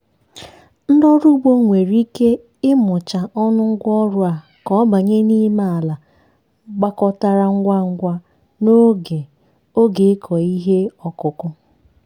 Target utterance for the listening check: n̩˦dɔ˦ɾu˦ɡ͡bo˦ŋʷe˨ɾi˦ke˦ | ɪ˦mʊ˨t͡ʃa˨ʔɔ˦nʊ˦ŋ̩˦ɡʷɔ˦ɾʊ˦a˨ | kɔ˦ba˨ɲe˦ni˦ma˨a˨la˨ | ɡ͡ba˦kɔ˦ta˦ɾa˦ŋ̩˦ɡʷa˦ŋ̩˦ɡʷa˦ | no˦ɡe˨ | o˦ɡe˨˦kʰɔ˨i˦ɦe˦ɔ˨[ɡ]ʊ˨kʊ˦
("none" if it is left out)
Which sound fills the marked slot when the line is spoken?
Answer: k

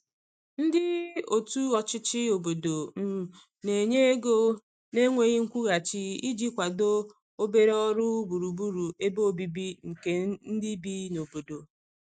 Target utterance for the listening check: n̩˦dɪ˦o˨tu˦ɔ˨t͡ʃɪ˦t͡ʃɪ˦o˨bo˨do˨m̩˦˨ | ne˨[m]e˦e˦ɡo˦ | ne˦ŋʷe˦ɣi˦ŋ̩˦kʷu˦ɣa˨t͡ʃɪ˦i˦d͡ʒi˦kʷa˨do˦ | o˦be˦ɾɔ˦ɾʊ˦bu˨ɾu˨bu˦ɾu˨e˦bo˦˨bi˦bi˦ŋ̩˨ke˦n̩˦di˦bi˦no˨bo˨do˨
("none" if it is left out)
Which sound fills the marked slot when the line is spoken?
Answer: ɲ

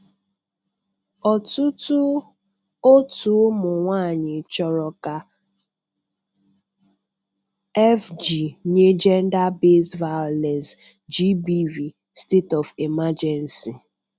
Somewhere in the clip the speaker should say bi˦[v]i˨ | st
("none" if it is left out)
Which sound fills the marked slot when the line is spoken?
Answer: v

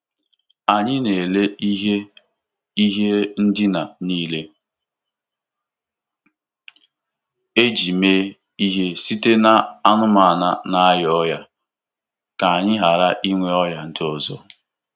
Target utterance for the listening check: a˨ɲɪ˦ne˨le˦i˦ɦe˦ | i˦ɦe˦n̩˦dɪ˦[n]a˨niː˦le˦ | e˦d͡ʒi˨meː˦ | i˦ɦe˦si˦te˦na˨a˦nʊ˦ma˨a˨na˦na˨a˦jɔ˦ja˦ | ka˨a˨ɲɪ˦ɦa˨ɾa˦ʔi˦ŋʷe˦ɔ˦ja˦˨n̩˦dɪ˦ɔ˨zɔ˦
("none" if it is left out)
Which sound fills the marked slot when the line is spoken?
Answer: n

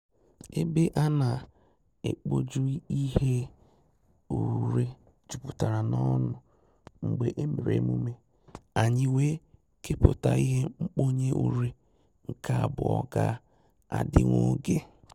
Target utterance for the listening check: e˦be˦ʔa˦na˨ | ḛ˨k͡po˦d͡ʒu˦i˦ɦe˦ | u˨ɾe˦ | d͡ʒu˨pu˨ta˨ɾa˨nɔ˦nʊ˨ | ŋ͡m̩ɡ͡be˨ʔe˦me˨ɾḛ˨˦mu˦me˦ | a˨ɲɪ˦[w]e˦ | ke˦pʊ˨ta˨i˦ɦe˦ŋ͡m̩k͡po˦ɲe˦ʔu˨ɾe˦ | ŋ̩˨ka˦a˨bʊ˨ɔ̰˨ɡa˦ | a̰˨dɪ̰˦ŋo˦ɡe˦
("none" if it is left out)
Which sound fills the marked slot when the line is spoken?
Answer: w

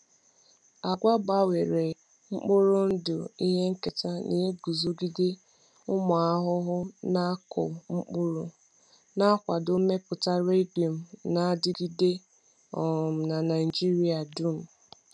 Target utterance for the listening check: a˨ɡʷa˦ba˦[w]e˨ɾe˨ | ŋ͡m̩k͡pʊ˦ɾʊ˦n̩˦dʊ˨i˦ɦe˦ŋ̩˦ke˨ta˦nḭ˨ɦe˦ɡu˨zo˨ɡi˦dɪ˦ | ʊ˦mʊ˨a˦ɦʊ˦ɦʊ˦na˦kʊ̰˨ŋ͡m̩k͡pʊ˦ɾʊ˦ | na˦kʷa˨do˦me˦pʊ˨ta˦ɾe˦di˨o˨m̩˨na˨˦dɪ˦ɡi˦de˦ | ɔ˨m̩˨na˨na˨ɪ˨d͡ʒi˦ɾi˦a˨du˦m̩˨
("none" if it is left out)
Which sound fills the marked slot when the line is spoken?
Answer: w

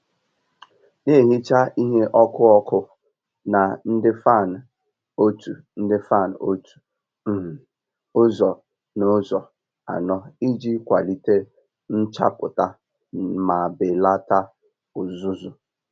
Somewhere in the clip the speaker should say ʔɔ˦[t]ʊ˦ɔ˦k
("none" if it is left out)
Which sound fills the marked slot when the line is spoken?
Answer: k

